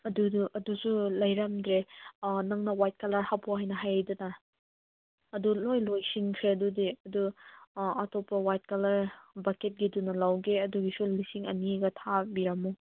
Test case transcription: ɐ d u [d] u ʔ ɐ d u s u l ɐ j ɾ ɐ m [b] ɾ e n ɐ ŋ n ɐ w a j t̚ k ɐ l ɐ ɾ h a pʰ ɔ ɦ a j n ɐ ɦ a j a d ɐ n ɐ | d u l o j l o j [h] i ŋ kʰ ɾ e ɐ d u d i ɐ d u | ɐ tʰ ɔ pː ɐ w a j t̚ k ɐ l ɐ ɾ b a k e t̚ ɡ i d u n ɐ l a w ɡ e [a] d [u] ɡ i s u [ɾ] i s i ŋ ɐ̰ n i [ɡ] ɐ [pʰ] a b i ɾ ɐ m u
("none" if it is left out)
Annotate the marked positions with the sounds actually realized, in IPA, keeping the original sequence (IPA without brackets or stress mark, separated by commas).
d, d, s, ɐ, u, l, ɡ, tʰ